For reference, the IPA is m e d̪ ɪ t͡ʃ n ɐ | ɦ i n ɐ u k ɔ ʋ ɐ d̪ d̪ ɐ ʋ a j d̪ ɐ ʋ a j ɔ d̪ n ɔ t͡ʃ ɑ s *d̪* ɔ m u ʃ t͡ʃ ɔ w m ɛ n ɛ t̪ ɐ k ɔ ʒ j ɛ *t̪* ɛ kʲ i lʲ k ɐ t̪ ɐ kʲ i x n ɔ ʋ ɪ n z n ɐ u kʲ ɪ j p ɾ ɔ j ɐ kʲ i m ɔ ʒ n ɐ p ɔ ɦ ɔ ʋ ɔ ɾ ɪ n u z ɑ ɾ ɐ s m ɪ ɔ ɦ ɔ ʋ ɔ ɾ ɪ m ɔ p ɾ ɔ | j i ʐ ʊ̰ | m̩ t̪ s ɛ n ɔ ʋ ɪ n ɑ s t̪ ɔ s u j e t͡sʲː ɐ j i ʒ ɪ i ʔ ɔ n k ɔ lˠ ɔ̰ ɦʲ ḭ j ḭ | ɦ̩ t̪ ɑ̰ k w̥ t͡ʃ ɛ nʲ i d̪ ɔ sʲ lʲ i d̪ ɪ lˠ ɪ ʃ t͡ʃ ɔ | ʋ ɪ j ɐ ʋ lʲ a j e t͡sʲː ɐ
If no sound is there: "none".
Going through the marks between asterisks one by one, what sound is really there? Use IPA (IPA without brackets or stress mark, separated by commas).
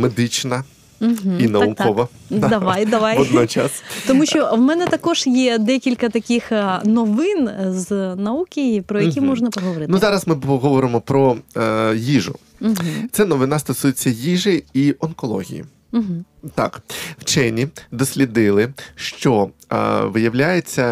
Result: t̪, d̪